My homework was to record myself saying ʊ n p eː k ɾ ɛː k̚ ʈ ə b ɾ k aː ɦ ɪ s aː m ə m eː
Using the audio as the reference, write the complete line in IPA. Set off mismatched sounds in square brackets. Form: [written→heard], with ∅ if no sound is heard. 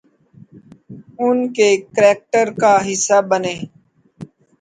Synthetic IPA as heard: ʊ n [p→k] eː k ɾ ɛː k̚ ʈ ə [b→∅] ɾ k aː ɦ ɪ s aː [m→b] ə [m→n] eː